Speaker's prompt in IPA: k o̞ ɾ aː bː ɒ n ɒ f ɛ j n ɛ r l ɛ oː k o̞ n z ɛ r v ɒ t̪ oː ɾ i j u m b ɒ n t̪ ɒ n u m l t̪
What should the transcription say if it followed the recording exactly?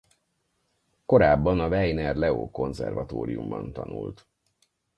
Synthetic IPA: k o̞ ɾ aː bː ɒ n ɒ v ɛ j n ɛ r l ɛ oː k o̞ n z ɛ r v ɒ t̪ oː ɾ i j u m b ɒ n t̪ ɒ n u l t̪